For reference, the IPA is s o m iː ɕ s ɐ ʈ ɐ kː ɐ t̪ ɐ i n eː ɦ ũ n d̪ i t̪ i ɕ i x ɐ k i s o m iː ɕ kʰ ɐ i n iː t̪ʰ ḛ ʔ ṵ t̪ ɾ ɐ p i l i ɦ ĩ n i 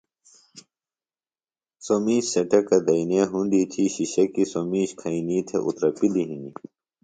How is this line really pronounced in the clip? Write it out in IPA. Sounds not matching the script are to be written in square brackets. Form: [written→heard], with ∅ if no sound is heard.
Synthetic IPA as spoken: s o m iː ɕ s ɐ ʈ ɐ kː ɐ [t̪→d̪] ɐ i n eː ɦ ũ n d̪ i [t̪→t̪ʰ] i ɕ i [x→ɕ] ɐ k i s o m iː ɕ kʰ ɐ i n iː t̪ʰ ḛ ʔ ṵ t̪ ɾ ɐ p i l i ɦ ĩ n i